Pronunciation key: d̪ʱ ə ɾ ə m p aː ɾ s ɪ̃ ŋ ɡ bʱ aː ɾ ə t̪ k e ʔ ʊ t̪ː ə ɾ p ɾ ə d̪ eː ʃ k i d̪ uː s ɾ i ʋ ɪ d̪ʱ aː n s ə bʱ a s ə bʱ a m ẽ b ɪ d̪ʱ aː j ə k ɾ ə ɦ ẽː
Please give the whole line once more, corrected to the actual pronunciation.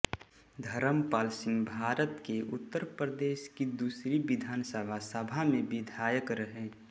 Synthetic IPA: d̪ʱ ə ɾ ə m p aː l s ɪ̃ ŋ ɡ bʱ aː ɾ ə t̪ k e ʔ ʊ t̪ː ə ɾ p ɾ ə d̪ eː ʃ k i d̪ uː s ɾ i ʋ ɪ d̪ʱ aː n s ə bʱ a s ə bʱ a m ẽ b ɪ d̪ʱ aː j ə k ɾ ə ɦ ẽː

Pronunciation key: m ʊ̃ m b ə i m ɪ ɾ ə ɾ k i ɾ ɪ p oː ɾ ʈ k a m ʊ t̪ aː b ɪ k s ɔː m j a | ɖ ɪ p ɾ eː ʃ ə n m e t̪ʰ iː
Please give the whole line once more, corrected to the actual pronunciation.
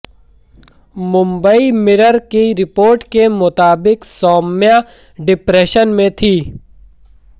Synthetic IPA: m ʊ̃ m b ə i m ɪ ɾ ə ɾ k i ɾ ɪ p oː ɾ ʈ k e m ʊ t̪ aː b ɪ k s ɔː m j a | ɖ ɪ p ɾ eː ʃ ə n m ẽ t̪ʰ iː

